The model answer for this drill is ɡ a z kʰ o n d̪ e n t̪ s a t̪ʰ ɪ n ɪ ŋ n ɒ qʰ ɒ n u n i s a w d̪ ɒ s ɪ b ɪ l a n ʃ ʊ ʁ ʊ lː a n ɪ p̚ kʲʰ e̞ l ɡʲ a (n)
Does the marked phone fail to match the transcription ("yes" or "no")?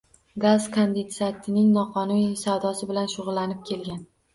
no